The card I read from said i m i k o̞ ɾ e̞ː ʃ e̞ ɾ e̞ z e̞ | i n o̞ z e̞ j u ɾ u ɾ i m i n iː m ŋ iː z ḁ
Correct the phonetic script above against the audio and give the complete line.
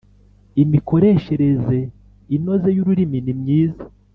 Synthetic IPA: i m i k o̞ ɾ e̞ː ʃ e̞ ɾ e̞ z e̞ | i n o̞ z e̞ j u ɾ u ɾ i m i n i m ɲ iː z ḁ